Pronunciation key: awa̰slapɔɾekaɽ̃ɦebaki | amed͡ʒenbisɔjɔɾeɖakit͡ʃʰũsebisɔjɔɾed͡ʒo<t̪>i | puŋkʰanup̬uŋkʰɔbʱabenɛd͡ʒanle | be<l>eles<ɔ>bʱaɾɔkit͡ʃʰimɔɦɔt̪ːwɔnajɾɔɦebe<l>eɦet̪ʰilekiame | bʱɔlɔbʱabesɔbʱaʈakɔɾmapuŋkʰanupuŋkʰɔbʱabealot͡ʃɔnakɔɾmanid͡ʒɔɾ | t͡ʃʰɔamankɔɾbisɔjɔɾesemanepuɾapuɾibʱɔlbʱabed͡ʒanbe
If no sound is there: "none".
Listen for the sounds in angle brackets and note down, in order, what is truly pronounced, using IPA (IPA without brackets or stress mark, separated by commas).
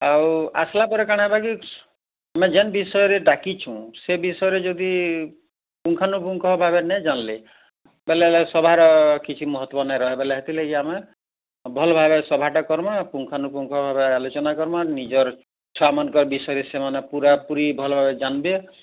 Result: d̪, l, ɔ, l